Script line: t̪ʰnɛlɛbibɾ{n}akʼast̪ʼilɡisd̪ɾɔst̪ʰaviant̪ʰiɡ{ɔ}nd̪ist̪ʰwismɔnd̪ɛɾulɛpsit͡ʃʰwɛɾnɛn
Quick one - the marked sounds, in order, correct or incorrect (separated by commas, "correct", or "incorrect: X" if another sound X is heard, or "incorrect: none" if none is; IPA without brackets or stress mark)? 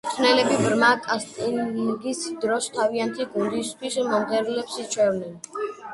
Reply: incorrect: m, incorrect: u